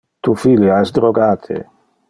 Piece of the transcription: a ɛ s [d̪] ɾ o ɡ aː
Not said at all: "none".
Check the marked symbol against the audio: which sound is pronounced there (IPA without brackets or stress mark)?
d̪